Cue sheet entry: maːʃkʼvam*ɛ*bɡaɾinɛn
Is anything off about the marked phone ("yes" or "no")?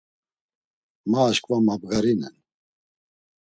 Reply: yes